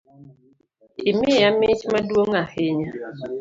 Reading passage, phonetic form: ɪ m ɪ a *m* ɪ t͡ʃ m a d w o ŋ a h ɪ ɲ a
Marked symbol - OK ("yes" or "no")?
yes